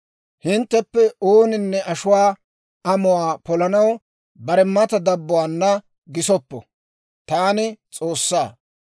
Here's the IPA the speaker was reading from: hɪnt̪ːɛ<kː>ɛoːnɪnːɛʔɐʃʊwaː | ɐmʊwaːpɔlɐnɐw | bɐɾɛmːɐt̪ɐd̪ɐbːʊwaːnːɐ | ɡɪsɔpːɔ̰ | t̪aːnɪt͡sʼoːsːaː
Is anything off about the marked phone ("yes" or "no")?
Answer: yes